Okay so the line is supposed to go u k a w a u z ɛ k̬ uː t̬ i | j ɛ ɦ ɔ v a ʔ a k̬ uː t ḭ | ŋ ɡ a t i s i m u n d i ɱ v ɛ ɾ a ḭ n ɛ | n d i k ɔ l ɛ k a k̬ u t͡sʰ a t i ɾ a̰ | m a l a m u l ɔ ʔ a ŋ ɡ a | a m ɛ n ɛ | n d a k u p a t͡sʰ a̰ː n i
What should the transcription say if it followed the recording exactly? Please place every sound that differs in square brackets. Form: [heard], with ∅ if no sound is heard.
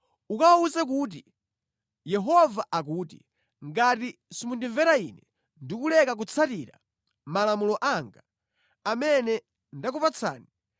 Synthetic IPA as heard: u k a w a u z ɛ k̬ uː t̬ i | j ɛ ɦ ɔ v a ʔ a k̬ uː t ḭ | ŋ ɡ a t i s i m u n d i ɱ v ɛ ɾ a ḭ n ɛ | n d i k [u] l ɛ k a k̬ u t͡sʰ a t i ɾ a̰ | m a l a m u l ɔ ʔ a ŋ ɡ a | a m ɛ n ɛ | n d a k u p a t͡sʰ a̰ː n i